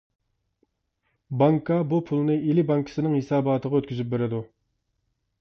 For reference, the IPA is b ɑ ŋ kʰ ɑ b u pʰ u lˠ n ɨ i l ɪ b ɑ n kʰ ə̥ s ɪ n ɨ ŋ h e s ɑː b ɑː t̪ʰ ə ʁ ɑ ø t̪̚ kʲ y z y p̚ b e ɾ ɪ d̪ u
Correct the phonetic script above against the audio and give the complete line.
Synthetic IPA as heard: b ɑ ŋ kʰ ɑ b u pʰ u lˠ n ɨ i l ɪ b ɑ ŋ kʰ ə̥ s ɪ n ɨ ŋ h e s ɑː b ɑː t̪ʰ ə ʁ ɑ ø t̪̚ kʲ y z y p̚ b e ɾ ɪ d̪ u